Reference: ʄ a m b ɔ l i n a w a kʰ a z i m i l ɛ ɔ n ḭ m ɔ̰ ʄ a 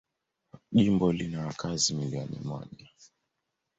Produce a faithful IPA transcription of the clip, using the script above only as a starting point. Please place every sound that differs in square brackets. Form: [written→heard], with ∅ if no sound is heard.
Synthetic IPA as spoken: ʄ [a→i] m b ɔ l i n a w a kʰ a z i m i l [ɛ→i] ɔ n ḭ m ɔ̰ ʄ a